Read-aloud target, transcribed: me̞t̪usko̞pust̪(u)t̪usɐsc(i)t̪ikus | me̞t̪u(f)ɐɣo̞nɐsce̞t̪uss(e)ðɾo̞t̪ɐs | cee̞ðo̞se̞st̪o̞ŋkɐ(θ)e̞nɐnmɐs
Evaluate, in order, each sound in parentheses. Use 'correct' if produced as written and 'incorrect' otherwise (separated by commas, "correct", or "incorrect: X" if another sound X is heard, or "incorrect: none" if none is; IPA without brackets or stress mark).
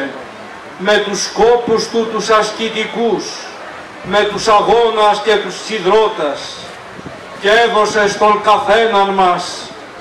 correct, correct, incorrect: s, incorrect: i, correct